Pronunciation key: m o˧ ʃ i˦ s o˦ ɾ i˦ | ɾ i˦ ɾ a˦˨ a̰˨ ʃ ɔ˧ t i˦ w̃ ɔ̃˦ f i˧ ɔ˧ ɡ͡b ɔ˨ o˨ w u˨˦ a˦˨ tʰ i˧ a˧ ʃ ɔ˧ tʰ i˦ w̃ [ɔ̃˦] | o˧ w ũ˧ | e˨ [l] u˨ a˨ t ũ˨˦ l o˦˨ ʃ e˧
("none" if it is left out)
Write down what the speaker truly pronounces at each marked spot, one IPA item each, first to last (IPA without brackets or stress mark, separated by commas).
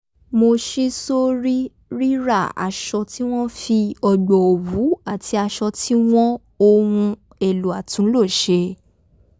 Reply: ɔ̃˦, l